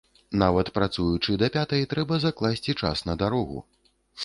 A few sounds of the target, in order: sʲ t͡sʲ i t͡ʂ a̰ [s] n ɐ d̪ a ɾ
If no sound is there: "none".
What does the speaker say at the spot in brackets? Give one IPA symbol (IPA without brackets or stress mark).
s